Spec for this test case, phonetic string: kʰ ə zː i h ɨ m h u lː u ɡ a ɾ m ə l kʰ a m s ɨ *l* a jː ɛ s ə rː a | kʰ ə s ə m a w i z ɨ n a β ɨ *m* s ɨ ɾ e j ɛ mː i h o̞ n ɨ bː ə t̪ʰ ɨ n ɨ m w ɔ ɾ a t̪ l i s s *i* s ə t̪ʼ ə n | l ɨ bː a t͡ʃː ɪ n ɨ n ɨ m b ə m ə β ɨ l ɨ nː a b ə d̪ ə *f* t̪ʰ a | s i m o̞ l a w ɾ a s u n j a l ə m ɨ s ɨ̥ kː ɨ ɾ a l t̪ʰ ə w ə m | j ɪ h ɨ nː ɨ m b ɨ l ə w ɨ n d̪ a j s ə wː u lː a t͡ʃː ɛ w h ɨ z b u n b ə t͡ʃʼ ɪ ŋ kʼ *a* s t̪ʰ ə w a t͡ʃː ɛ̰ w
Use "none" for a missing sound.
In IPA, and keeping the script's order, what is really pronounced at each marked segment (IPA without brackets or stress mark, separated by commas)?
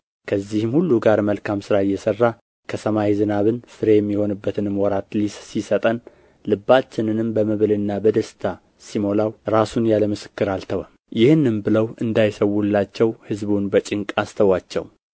ɾ, n, i, s, a